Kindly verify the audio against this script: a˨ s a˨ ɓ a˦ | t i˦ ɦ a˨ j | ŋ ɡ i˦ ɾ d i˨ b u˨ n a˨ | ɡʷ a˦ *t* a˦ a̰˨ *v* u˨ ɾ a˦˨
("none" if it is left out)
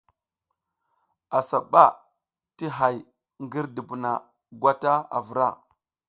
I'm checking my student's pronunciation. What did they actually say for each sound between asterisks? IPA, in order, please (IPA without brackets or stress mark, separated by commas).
t, v